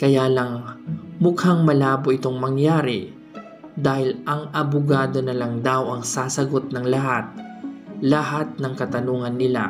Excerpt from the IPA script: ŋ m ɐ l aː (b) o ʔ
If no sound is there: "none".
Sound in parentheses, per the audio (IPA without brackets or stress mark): b